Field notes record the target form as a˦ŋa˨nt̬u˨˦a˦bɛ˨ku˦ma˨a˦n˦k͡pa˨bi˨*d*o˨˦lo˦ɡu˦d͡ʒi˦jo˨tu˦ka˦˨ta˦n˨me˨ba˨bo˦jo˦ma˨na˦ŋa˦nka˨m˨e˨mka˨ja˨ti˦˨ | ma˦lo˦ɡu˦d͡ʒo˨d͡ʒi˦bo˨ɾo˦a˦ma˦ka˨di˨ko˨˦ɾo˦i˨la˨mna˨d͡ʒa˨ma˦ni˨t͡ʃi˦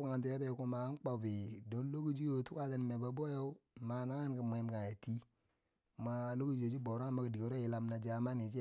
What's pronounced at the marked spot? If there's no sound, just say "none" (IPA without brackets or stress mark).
d